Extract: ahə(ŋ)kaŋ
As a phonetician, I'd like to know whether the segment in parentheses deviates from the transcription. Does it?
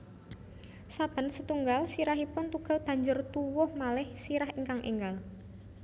no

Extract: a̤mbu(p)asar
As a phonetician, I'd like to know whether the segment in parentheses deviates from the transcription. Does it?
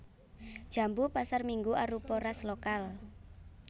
no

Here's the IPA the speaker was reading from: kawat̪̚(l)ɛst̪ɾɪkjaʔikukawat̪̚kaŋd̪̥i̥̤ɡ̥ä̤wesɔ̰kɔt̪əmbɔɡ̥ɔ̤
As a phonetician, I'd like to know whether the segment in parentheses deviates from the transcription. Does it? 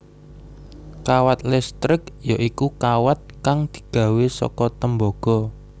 no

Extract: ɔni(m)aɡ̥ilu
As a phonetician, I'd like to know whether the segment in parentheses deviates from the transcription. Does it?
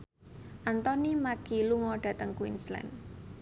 no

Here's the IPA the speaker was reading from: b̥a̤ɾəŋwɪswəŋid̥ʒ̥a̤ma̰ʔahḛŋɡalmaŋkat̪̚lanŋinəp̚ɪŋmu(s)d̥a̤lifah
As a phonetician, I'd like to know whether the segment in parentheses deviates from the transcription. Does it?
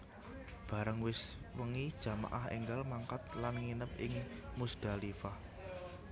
no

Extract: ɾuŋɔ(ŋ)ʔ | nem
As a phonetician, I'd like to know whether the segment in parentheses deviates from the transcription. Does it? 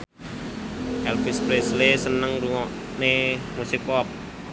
yes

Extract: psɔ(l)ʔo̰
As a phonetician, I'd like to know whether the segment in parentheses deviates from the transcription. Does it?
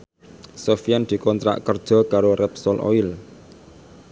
no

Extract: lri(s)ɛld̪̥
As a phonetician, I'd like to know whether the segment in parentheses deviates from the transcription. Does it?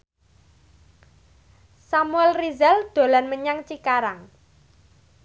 yes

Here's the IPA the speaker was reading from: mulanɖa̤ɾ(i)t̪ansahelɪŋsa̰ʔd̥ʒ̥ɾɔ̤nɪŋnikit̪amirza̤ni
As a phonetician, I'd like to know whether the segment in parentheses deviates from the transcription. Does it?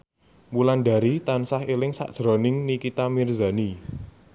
no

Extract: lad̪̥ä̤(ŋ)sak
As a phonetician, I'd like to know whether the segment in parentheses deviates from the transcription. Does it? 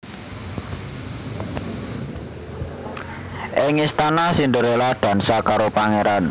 yes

